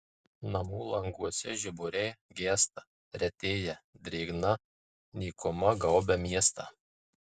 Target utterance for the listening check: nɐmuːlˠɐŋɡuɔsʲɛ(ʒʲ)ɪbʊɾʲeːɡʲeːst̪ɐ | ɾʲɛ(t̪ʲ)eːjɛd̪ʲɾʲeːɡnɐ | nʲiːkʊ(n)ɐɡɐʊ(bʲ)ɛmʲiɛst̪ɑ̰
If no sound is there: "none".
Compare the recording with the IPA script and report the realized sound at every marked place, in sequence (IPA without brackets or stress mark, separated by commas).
ʒʲ, t̪ʲ, m, bʲ